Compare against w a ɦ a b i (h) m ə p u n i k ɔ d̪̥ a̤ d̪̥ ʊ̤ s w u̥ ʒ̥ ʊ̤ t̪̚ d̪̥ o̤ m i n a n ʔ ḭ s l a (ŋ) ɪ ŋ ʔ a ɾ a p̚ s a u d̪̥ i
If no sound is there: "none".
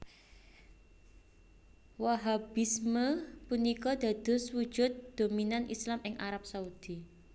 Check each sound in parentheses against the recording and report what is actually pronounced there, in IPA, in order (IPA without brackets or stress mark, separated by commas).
s, m